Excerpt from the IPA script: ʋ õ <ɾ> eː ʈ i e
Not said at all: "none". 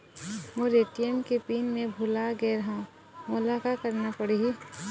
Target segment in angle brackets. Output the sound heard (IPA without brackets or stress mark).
ɾ